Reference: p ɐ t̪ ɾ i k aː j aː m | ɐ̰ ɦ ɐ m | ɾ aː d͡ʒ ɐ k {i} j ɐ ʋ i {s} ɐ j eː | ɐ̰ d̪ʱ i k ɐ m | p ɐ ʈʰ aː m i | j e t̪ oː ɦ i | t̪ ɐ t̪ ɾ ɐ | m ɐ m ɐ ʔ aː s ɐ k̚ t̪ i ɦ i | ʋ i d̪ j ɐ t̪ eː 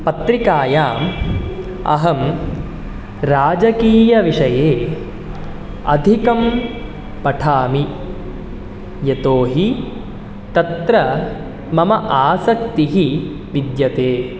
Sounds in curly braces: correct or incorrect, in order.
incorrect, incorrect

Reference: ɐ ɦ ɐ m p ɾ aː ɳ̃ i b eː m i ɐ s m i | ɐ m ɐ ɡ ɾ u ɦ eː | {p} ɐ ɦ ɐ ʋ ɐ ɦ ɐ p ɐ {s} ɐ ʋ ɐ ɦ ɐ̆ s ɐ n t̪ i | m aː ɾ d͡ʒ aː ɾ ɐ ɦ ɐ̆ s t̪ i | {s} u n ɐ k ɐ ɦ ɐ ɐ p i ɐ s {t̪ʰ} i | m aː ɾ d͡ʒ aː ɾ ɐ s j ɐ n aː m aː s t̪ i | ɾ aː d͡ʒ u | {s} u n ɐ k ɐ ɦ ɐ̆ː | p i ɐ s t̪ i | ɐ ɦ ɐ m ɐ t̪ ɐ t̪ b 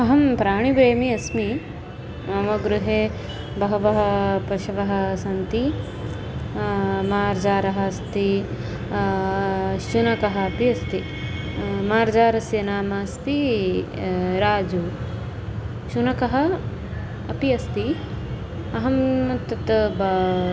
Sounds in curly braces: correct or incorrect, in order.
incorrect, incorrect, incorrect, incorrect, incorrect

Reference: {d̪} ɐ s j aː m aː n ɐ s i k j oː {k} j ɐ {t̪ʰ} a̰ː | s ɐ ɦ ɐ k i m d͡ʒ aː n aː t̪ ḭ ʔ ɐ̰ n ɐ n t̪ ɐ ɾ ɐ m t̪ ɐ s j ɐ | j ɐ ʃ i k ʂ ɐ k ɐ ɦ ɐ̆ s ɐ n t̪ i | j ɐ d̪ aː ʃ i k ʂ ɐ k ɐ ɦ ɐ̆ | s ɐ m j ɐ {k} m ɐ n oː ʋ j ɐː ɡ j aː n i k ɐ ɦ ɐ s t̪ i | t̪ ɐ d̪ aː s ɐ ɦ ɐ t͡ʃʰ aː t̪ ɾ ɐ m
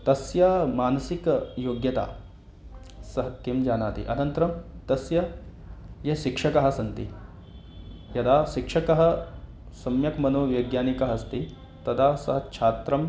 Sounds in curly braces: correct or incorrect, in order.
incorrect, incorrect, incorrect, correct

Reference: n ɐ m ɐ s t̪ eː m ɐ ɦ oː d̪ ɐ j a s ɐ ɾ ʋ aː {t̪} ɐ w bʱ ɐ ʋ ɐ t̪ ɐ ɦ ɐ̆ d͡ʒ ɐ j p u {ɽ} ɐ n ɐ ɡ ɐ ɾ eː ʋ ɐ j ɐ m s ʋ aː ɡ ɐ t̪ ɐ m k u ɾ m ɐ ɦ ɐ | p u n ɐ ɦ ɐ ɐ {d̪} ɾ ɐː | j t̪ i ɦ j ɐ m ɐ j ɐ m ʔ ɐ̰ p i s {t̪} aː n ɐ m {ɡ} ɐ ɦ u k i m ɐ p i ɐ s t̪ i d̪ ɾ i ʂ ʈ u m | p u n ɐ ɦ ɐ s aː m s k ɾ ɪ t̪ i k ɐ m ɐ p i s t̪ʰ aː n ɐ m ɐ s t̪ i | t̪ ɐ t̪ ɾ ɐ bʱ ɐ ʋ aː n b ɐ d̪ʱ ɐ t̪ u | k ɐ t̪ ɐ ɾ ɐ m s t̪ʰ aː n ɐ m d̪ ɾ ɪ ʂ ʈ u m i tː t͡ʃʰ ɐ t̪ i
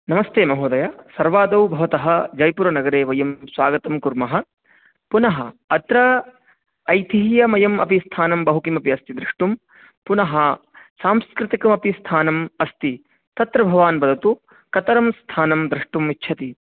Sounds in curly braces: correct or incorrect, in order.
incorrect, incorrect, incorrect, incorrect, incorrect

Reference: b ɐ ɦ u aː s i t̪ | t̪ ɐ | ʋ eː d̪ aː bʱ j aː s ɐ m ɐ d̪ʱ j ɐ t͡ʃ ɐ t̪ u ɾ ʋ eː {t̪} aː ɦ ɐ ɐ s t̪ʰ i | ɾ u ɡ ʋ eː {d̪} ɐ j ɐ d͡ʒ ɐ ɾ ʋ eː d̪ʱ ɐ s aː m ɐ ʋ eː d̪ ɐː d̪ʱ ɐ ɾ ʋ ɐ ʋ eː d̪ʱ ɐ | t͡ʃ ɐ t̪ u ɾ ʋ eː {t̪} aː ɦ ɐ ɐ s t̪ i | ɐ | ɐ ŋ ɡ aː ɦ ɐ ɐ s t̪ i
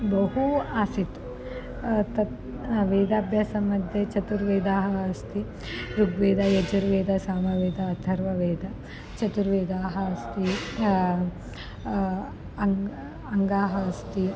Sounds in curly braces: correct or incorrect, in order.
incorrect, correct, incorrect

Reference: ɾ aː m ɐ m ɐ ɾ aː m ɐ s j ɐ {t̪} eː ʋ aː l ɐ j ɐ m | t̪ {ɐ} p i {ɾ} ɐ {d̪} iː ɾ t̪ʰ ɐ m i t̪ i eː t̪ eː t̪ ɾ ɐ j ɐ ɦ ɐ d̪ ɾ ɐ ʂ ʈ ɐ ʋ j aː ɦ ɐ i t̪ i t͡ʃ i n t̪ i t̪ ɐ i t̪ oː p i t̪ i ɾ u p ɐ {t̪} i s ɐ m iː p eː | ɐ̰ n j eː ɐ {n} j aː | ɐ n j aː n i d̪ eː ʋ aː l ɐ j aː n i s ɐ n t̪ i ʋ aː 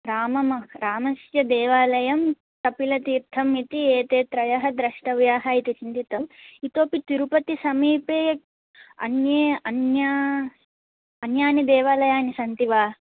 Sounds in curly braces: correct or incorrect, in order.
incorrect, correct, incorrect, incorrect, correct, correct

